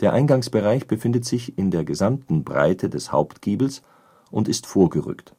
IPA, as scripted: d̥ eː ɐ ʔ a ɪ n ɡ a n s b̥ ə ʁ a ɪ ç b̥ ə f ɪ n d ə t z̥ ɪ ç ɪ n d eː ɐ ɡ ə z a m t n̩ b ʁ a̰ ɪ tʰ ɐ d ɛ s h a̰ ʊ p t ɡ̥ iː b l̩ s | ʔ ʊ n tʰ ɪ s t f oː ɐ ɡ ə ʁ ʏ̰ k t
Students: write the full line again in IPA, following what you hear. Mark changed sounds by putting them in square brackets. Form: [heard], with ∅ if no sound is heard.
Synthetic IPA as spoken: d̥ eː ɐ ʔ a ɪ n ɡ a [ŋ] s b̥ ə ʁ a ɪ ç b̥ ə f ɪ n d ə t z̥ ɪ ç ɪ n d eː ɐ ɡ ə z a m t n̩ b ʁ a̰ ɪ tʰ [ə] d ɛ s h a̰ ʊ p t ɡ̥ iː b l̩ s | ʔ ʊ n [t] ɪ s t f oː ɐ ɡ ə ʁ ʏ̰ k t